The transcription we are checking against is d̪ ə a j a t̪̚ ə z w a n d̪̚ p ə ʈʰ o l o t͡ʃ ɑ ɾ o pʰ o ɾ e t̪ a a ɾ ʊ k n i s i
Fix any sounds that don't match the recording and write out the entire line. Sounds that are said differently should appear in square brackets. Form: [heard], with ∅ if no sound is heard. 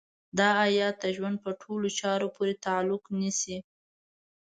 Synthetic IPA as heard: d̪ [ɑ] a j [ɑ] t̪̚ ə [ʒ] w a n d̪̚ p ə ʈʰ o l o t͡ʃ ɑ ɾ o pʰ o ɾ e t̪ a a [l] ʊ k n i s i